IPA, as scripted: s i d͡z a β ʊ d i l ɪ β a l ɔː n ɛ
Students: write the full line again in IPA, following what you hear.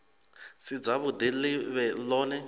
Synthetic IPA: s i d͡z a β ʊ d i l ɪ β ɛ l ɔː n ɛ